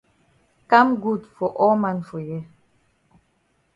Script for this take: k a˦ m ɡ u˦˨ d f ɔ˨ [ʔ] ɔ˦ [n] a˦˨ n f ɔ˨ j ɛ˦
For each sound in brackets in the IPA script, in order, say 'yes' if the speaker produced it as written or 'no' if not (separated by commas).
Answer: yes, no